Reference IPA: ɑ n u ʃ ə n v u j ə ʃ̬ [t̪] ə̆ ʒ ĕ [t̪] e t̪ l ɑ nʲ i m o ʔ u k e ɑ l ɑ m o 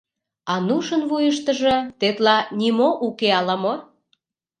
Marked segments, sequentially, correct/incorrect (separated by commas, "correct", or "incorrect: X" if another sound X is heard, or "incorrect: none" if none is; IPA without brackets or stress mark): correct, correct